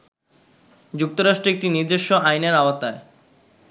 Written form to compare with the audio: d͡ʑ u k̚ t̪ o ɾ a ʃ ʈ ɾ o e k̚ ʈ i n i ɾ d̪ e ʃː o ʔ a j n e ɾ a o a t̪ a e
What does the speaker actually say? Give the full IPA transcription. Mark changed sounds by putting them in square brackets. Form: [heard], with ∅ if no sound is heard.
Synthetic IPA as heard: d͡ʑ u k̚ t̪ o ɾ a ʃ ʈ ɾ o e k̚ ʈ i n i ɾ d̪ e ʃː o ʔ a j n e ɾ a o a t̪ a e